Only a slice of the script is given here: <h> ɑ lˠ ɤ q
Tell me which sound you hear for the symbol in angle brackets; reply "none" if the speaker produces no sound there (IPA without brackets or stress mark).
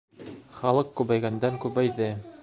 χ